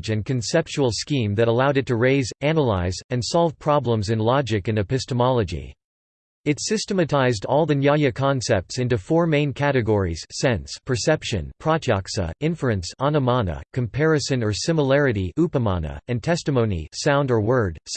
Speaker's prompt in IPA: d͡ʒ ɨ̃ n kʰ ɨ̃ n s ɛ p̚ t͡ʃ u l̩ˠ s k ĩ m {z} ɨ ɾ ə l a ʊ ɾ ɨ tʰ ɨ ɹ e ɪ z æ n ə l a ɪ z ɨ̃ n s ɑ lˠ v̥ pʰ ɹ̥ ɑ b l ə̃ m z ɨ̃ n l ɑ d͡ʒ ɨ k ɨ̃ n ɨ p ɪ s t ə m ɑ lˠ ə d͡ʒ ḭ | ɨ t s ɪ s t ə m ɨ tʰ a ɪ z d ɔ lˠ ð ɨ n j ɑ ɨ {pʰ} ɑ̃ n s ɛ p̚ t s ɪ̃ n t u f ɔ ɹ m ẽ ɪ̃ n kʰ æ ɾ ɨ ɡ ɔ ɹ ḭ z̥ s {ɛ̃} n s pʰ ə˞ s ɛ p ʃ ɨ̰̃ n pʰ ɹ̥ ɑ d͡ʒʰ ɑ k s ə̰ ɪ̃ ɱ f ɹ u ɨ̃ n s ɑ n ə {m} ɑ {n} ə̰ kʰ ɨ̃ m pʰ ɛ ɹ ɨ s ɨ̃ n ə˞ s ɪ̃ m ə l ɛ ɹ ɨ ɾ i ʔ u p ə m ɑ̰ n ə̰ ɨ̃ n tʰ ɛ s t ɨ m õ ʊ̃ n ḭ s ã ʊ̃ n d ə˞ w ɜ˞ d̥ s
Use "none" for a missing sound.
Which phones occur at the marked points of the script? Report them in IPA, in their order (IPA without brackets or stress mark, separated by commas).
ð, kʰ, ɛ̃, m, n